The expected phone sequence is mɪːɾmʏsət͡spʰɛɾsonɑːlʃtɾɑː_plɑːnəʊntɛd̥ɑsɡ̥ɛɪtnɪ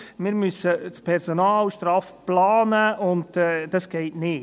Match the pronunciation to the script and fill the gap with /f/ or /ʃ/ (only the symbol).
f